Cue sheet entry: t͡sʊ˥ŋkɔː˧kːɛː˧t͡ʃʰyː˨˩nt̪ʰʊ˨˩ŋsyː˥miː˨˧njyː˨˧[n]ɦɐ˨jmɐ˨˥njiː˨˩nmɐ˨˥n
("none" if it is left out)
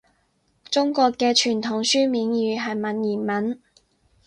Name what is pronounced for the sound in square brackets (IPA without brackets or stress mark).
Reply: none